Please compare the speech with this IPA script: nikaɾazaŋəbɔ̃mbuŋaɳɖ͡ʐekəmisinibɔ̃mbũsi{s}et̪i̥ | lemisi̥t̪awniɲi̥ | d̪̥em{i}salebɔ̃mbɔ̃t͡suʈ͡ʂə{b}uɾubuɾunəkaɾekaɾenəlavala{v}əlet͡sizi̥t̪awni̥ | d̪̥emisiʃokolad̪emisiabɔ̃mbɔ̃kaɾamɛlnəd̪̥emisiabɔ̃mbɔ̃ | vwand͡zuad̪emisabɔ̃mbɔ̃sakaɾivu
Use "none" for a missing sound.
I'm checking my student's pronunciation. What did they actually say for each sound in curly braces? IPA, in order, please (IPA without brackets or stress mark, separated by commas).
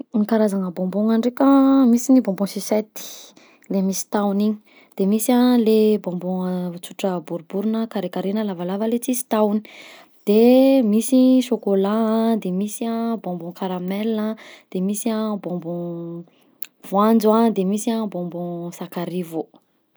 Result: s, i, b, v